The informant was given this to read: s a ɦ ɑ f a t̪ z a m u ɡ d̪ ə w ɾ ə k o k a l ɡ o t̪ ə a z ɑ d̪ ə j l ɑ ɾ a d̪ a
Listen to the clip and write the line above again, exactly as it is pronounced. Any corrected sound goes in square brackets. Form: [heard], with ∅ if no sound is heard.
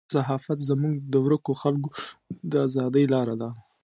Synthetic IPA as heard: s a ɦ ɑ f a t̪ z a m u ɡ d̪ ə w ɾ ə k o [x] a l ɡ o [d̪] ə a z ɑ d̪ ə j l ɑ ɾ a d̪ a